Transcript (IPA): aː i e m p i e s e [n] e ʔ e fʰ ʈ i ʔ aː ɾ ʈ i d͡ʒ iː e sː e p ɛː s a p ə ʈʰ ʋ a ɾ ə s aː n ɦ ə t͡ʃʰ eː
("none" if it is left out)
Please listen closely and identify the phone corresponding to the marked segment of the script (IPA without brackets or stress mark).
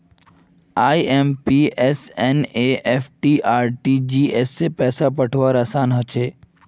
n